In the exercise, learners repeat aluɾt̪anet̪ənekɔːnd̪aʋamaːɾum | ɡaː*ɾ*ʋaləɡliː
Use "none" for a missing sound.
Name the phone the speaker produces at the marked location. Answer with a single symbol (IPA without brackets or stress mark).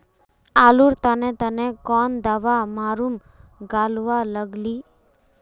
l